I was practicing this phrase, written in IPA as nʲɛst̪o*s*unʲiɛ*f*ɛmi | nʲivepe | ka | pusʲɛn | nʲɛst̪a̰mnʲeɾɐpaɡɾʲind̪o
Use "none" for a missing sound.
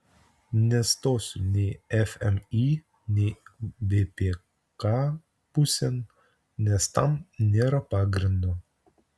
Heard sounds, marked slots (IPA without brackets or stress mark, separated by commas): s, f